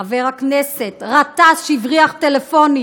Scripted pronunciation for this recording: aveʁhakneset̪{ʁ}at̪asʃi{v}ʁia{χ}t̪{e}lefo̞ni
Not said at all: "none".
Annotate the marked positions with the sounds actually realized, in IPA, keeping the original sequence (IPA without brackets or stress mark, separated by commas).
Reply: ʁ, v, χ, e